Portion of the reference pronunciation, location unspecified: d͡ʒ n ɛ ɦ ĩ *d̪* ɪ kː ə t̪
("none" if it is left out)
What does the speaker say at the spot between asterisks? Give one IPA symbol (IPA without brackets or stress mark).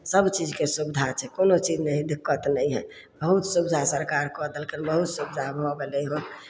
d̪